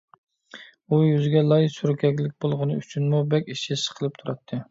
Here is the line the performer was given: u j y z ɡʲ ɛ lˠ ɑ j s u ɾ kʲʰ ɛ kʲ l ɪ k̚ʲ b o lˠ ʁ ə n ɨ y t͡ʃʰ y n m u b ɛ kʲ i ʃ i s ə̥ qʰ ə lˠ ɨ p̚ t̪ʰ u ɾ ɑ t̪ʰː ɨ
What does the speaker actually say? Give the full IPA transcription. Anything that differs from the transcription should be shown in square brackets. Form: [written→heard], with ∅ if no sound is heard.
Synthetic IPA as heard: u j y z ɡʲ ɛ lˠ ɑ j s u ɾ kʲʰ ɛ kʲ l ɪ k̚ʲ b o lˠ ʁ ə n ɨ y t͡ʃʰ y n m u b ɛ kʲ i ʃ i s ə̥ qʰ ə lˠ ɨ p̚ t̪ʰ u ɾ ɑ t̪ʰː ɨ